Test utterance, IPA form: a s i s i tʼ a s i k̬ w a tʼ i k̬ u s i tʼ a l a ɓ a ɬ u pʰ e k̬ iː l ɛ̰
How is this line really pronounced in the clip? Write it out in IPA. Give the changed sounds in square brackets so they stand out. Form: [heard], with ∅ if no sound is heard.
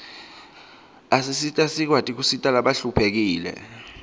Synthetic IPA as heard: a s i s i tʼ a s i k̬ w a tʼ i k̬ u s i tʼ a l a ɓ a ɬ u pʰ e k̬ iː l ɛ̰